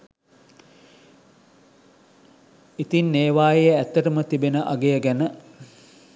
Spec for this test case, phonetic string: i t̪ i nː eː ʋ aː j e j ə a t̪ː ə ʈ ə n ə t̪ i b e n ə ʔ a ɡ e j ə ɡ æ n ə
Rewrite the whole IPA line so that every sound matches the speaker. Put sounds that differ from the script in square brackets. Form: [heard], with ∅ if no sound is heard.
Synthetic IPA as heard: i t̪ i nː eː ʋ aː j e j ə [æ] t̪ː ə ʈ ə [m] ə t̪ i b e n ə ʔ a ɡ e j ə ɡ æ n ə